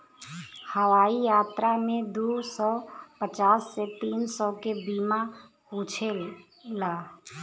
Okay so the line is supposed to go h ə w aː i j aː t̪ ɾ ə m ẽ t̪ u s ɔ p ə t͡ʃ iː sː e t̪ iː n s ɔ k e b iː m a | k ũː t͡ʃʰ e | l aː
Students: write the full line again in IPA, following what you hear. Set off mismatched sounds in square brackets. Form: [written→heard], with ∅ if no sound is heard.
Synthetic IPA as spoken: h ə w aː i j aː t̪ ɾ [ə→a] m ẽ [t̪→d̪] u s ɔ p ə t͡ʃ [iː→aː] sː e t̪ iː n s ɔ k e b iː m a | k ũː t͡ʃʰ e | l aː